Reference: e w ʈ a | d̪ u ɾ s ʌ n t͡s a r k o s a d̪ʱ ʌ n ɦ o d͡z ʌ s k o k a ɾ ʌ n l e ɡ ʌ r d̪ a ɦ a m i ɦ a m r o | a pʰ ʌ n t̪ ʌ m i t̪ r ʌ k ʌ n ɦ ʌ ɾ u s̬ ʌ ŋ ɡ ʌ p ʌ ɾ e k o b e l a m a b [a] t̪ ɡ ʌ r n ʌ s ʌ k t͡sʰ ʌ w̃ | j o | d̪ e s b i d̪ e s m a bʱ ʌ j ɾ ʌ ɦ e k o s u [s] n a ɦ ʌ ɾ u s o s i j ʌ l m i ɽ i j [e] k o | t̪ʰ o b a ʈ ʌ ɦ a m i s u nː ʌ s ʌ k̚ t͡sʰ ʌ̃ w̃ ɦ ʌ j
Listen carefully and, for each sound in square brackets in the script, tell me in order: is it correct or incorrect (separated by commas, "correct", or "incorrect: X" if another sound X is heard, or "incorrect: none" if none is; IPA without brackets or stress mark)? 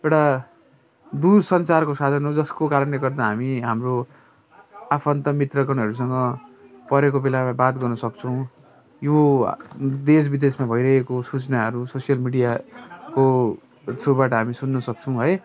correct, incorrect: t͡s, incorrect: a